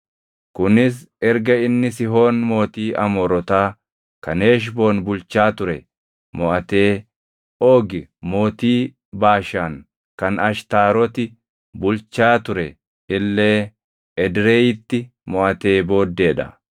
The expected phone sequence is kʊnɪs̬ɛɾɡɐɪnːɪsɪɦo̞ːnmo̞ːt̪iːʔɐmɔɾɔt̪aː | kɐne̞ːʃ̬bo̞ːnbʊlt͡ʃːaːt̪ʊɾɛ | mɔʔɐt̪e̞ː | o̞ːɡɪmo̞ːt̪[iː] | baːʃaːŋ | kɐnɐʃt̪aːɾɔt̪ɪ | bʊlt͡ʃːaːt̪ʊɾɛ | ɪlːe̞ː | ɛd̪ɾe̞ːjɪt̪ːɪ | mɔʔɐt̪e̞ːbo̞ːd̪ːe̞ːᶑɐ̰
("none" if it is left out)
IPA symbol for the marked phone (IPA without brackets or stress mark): iː